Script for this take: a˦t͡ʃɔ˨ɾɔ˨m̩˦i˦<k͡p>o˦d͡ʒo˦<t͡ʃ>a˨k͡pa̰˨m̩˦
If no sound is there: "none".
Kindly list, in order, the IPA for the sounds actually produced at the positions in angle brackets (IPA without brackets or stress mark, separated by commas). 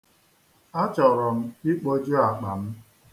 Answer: k͡p, none